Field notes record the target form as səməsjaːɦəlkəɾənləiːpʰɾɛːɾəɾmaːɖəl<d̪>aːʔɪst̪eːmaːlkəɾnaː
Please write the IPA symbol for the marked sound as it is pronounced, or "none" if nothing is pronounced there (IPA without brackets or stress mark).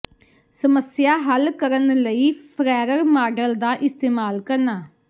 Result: d̪